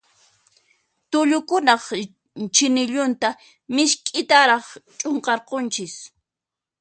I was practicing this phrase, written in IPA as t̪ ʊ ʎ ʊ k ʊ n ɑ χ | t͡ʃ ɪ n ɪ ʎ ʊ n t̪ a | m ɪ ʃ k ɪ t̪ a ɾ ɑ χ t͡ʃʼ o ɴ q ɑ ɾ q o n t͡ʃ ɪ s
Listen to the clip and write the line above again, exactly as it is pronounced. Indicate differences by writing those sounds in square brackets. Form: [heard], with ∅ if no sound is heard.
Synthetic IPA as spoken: t̪ ʊ ʎ ʊ k ʊ n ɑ χ | t͡ʃ ɪ n ɪ ʎ ʊ n t̪ a | m ɪ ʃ [kʼ] ɪ t̪ a ɾ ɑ χ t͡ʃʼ o ɴ q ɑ ɾ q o n t͡ʃ ɪ s